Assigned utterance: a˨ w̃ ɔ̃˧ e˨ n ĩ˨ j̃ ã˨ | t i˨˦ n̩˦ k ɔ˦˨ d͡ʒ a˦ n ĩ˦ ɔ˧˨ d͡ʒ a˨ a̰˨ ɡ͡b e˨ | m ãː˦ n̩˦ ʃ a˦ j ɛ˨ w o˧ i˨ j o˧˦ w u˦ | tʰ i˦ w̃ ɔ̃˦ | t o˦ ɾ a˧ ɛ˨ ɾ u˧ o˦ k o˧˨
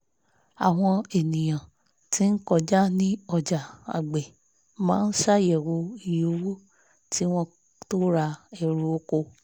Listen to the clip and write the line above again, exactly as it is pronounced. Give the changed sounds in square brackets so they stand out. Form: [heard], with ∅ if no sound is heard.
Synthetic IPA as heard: a˨ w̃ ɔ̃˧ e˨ n ĩ˨ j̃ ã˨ | t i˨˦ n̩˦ k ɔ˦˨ d͡ʒ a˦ n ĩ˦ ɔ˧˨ d͡ʒ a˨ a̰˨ ɡ͡b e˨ | m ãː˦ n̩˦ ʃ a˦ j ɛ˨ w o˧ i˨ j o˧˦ w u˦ | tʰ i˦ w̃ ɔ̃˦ | t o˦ ɾ a˧ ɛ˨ ɾ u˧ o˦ k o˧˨